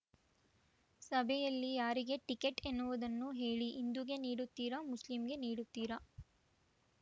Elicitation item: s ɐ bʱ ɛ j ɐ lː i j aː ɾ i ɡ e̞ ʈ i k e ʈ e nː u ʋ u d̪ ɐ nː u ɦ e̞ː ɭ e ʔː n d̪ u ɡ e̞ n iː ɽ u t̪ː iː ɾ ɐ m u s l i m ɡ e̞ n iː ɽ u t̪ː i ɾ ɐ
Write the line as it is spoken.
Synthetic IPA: s ɐ bʱ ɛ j ɐ lː i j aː ɾ i ɡ e̞ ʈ i k e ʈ e nː u ʋ u d̪ ɐ nː u ɦ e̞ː ɭ i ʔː n d̪ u ɡ e̞ n iː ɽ u t̪ː iː ɾ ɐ m u s l i m ɡ e̞ n iː ɽ u t̪ː iː ɾ ɐ